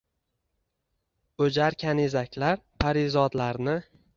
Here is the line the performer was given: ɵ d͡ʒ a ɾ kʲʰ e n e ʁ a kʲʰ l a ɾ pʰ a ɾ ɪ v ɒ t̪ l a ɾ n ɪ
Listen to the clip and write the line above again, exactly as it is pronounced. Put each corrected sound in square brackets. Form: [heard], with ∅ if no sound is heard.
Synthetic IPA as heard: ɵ d͡ʒ a ɾ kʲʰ [a] n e [z] a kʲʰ l a ɾ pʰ a ɾ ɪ [z] ɒ [d̪] l a ɾ n ɪ